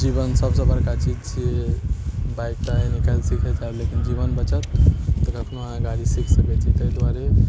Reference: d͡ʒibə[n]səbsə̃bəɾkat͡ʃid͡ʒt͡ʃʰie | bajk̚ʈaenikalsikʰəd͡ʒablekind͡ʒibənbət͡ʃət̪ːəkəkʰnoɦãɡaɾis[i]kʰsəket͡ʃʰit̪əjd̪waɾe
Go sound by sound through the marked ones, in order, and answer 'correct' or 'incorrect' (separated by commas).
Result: correct, correct